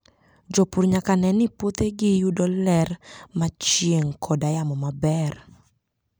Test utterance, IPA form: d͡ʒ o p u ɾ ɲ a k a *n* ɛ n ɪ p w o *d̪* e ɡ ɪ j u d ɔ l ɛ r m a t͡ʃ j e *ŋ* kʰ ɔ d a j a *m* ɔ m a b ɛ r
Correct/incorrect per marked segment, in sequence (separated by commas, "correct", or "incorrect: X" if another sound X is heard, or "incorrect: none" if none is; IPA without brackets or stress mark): correct, incorrect: t̪, correct, correct